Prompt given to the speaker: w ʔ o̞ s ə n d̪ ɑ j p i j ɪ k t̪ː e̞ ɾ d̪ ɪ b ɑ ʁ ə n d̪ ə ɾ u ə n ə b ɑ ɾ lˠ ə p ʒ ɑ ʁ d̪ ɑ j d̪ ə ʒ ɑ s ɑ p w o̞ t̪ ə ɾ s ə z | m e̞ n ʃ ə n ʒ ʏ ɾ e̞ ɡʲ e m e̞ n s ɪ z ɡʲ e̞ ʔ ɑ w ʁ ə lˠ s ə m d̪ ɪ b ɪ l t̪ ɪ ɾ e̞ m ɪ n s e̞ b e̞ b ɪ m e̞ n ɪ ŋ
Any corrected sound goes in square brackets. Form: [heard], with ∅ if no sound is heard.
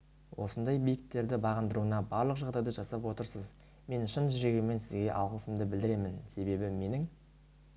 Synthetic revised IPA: w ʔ o̞ s ə n d̪ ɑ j [b] i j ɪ k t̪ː e̞ ɾ d̪ ɪ b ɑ ʁ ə n d̪ ə ɾ u ə n [ɑ] b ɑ ɾ lˠ ə [q] ʒ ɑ ʁ d̪ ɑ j d̪ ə ʒ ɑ s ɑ p w o̞ t̪ ə ɾ s ə z | m e̞ n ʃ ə n ʒ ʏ ɾ e̞ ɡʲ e m e̞ n s ɪ z ɡʲ e̞ ʔ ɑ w ʁ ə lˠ s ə m d̪ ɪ b ɪ l [d̪] ɪ ɾ e̞ m ɪ n s e̞ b e̞ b ɪ m e̞ n ɪ ŋ